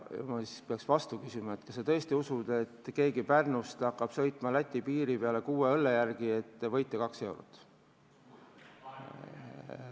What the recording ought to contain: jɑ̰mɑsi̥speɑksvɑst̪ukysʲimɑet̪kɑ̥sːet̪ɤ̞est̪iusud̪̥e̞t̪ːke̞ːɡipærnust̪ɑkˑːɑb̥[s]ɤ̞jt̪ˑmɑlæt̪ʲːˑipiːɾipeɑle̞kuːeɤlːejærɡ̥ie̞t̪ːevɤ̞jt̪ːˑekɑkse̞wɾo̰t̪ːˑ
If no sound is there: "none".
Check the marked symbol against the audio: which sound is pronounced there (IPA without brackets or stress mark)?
s